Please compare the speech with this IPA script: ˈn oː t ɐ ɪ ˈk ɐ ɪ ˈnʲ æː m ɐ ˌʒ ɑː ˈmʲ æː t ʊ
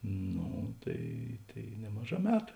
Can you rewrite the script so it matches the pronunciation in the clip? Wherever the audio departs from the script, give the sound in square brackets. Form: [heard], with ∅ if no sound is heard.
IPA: ˈn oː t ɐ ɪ [ˈt] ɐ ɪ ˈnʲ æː m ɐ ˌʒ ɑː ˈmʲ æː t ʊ